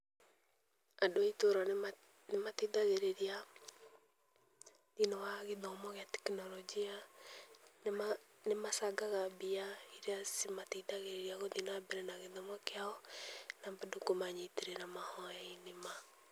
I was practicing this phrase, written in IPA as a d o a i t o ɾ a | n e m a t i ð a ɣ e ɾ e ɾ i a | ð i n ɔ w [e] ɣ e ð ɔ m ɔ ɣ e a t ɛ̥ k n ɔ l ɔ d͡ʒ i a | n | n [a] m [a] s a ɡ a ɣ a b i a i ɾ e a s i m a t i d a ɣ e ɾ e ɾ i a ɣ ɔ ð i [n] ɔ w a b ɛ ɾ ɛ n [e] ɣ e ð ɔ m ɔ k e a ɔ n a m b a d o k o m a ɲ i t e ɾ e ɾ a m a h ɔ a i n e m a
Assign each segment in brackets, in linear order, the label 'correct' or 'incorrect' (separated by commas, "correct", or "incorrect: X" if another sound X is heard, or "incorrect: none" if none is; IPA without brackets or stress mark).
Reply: incorrect: a, incorrect: e, correct, correct, incorrect: a